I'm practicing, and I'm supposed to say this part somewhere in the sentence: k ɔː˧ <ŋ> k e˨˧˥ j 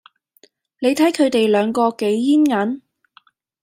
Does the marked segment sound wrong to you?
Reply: yes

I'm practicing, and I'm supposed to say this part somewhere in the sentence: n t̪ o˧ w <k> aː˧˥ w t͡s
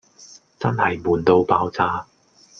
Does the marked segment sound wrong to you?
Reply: yes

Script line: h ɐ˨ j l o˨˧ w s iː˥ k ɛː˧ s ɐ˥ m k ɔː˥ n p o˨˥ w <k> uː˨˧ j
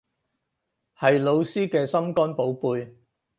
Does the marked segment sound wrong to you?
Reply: yes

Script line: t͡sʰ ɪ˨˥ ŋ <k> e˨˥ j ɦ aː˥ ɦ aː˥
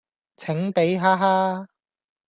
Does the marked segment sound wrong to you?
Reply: yes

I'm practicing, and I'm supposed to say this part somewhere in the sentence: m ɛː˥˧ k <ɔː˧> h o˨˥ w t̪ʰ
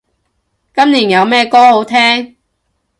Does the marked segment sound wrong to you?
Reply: yes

